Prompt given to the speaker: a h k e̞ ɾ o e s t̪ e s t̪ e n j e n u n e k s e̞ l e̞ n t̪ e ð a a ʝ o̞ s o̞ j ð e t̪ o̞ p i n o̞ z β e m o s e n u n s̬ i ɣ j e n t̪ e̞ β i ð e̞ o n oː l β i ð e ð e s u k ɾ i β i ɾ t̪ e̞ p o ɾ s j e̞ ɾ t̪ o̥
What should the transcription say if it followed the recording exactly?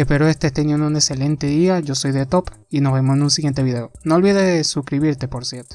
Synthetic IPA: e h p e̞ ɾ o e s t̪ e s t̪ e n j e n u n e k s e̞ l e̞ n t̪ e ð i a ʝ o̞ s o̞ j ð e t̪ o̞ p i n o̞ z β e m o s e n u n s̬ i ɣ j e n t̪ e̞ β i ð e̞ o n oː l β i ð e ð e s u k ɾ i β i ɾ t̪ e̞ p o ɾ s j e̞ ɾ t̪ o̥

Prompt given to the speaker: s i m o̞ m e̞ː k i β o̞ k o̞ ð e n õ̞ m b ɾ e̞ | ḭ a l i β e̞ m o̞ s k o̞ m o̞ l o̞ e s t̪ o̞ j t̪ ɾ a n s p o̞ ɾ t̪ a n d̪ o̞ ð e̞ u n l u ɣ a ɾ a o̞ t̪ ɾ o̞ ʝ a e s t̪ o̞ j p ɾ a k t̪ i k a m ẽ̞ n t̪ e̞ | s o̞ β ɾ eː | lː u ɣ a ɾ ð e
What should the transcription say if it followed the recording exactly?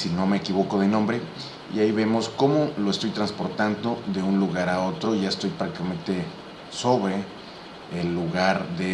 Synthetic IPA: s i n o̞ m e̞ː k i β o̞ k o̞ ð e n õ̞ m b ɾ e̞ | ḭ a i β e̞ m o̞ s k o̞ m o̞ l o̞ e s t̪ o̞ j t̪ ɾ a n s p o̞ ɾ t̪ a n d̪ o̞ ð e̞ u n l u ɣ a ɾ a o̞ t̪ ɾ o̞ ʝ a e s t̪ o̞ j p ɾ a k t̪ i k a m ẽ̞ n t̪ e̞ | s o̞ β ɾ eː | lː u ɣ a ɾ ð e

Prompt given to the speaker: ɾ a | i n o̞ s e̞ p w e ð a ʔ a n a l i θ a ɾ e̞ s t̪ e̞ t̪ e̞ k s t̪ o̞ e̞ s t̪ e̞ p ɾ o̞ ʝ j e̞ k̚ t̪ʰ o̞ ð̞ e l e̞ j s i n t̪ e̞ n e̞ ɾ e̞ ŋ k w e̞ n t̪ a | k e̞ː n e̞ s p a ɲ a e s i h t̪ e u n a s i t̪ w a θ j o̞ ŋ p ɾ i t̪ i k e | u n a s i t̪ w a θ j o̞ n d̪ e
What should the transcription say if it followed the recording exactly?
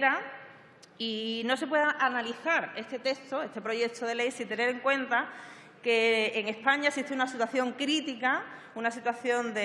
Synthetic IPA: ɾ a | i n o̞ s e̞ p w e ð a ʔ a n a l i θ a ɾ e̞ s t̪ e̞ t̪ e̞ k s t̪ o̞ e̞ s t̪ e̞ p ɾ o̞ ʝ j e̞ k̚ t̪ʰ o̞ ð̞ e l e̞ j s i n t̪ e̞ n e̞ ɾ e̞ ŋ k w e̞ n t̪ a | k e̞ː ŋ e̞ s p a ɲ a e s i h t̪ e u n a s i t̪ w a θ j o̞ ŋ k ɾ i t̪ i k a | u n a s i t̪ w a θ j o̞ n d̪ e

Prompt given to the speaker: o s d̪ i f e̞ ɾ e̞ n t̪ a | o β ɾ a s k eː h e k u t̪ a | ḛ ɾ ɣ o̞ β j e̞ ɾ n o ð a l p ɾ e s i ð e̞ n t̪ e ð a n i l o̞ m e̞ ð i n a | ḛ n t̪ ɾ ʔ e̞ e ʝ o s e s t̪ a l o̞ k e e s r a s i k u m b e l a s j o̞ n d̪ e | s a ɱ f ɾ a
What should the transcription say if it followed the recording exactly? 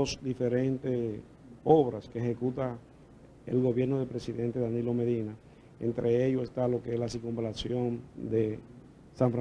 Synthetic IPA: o s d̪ i f e̞ ɾ e̞ n t̪ e | o β ɾ a s k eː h e k u t̪ a | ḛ l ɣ o̞ β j e̞ ɾ n o ð e l p ɾ e s i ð e̞ n t̪ e ð a n i l o̞ m e̞ ð i n a | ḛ n t̪ ɾ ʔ e̞ e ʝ o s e s t̪ a l o̞ k e e s l a s i k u m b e l a s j o̞ n d̪ e | s a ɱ f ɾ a

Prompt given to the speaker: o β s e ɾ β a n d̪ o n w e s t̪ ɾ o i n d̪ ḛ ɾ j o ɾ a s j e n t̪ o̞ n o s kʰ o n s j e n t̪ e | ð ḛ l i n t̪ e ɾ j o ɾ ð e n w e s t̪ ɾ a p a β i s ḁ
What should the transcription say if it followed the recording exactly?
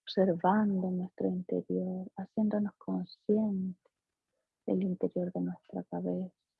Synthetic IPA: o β s e ɾ β a n d̪ o n w e s t̪ ɾ o i n t̪ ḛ ɾ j o ɾ a s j e n d̪ o̞ n o s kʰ o n s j e n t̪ e | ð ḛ l i n t̪ e ɾ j o ɾ ð e n w e s t̪ ɾ a k a β e s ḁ

